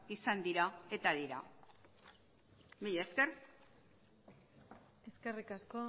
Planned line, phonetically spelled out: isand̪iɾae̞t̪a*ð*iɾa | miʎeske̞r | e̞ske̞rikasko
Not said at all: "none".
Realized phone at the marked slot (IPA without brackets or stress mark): ð